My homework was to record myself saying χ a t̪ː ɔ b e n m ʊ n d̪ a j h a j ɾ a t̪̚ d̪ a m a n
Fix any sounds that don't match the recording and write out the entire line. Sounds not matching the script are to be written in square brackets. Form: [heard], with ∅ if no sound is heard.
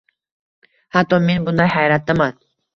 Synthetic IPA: [h] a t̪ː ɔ [m] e n [b] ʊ n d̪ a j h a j ɾ a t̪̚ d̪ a m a n